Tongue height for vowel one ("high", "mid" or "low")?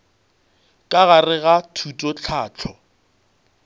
low